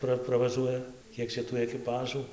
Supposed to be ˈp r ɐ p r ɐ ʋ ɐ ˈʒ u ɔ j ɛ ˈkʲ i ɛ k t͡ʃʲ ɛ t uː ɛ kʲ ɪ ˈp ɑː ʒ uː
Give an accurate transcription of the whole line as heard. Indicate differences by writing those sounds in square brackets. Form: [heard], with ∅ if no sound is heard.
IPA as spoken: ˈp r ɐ p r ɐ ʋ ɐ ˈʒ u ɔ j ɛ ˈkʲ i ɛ k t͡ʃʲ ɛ t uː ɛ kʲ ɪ ˈp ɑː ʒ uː